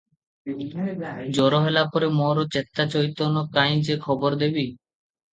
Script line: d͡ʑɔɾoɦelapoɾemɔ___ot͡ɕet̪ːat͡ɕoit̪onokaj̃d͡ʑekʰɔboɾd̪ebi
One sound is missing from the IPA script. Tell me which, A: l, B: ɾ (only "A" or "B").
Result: B